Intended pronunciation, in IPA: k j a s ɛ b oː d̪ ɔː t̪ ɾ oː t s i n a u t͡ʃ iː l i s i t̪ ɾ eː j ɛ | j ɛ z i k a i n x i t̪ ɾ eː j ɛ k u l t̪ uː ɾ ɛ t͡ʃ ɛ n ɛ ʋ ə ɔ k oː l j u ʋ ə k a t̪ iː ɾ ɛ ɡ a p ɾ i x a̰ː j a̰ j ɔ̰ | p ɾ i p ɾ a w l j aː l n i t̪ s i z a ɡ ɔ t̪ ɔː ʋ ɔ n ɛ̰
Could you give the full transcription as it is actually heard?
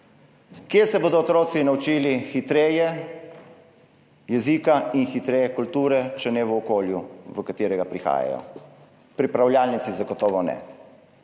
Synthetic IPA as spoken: k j e s ɛ b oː d̪ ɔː t̪ ɾ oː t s i n a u t͡ʃ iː l i x i t̪ ɾ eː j ɛ | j ɛ z i k a i n x i t̪ ɾ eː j ɛ k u l t̪ uː ɾ ɛ t͡ʃ ɛ n ɛ ʋ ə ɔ k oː l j u ʋ ə k a t̪ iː ɾ ɛ ɡ a p ɾ i x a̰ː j a̰ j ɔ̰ | p ɾ i p ɾ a w l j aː l n i t̪ s i z a ɡ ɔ t̪ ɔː ʋ ɔ n ɛ̰